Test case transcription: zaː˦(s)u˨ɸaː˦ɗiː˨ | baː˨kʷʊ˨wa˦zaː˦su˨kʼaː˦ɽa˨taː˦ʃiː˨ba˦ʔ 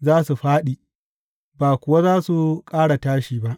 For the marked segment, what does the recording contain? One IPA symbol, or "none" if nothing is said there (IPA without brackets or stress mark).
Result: s